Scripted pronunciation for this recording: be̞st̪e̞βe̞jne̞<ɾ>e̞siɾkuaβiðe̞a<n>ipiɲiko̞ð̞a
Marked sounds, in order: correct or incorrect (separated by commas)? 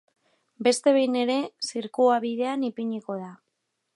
correct, correct